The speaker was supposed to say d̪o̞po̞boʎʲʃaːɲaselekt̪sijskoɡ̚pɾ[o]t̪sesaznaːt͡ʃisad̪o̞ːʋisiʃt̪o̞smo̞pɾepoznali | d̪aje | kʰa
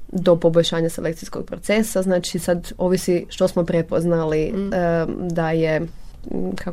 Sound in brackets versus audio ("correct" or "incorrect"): correct